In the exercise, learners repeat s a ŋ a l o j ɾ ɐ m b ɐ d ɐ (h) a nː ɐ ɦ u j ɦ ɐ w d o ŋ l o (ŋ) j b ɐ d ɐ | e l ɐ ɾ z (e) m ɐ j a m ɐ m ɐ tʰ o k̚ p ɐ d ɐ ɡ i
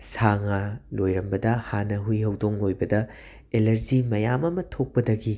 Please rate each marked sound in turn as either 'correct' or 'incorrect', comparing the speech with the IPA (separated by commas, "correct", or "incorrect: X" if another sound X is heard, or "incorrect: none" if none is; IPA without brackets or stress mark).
correct, incorrect: none, incorrect: i